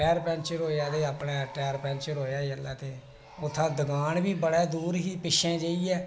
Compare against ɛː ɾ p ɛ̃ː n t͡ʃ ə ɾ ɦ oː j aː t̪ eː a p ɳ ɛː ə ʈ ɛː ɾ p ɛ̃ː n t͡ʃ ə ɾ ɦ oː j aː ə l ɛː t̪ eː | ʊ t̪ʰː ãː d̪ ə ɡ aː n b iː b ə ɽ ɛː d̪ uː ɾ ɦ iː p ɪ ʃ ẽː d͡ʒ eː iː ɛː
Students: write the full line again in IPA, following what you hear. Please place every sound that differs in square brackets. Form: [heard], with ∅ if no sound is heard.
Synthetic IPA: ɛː ɾ p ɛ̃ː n t͡ʃ ə ɾ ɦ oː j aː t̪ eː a p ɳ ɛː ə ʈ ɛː ɾ p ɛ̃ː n t͡ʃ ə ɾ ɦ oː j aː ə l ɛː t̪ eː | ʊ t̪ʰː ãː d̪ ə ɡ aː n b iː b ə ɽ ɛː d̪ uː ɾ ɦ iː p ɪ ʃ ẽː d͡ʒ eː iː ɛː